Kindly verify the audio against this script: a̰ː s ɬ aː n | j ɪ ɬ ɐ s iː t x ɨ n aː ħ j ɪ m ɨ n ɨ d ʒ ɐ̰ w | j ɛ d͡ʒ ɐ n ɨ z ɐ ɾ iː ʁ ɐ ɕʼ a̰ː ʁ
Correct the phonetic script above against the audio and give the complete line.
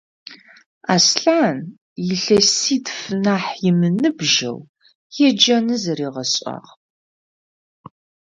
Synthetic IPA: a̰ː s ɬ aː n | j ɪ ɬ ɐ s iː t f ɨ n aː ħ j ɪ m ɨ n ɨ b ʒ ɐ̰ w | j ɛ d͡ʒ ɐ n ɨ z ɐ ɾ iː ʁ ɐ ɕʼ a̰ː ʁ